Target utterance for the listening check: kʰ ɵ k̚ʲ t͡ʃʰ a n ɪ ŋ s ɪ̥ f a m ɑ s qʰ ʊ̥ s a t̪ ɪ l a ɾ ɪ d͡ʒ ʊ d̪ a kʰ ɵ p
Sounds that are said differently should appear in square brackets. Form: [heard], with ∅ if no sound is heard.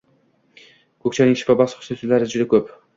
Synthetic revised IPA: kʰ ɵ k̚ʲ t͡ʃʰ a n ɪ ŋ [ʃ] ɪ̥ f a [b] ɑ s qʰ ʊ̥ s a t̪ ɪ l a ɾ ɪ d͡ʒ ʊ d̪ a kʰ ɵ p